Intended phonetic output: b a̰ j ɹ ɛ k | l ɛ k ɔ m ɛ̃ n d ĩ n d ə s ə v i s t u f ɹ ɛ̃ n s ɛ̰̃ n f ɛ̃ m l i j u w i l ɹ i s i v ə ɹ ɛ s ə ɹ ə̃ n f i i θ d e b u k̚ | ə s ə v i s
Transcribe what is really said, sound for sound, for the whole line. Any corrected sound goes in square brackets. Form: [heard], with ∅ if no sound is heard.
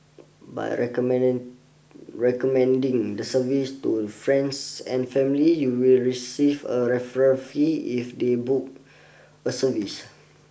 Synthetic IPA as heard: b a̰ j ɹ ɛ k | [ɹ] ɛ k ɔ m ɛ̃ n d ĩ [ŋ] d ə s ə v i s t u f ɹ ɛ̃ n s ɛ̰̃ n f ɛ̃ m l i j u w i l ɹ i s i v ə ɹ ɛ [f] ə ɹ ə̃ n f i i [f] d e b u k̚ | ə s ə v i s